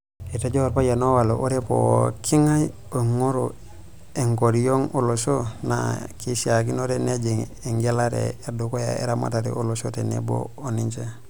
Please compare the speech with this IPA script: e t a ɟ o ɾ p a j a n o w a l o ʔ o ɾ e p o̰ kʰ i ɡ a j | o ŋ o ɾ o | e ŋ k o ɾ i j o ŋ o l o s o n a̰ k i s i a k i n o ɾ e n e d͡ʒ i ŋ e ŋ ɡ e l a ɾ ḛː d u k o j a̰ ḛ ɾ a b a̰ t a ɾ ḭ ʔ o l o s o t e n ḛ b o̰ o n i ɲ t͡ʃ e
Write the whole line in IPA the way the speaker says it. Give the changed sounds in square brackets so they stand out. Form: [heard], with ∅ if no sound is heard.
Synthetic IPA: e t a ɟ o ɾ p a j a n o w a l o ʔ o ɾ e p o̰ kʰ i [ŋ] a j | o ŋ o ɾ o | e ŋ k o ɾ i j o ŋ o l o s o n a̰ k i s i a k i n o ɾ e n e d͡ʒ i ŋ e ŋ ɡ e l a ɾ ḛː d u k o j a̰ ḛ ɾ a [m] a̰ t a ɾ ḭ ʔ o l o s o t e n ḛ b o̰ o n i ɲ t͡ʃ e